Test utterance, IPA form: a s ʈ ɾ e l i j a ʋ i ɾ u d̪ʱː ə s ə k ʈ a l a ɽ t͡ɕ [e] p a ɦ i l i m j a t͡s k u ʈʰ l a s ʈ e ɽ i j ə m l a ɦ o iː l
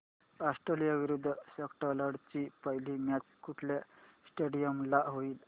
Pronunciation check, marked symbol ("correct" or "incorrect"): incorrect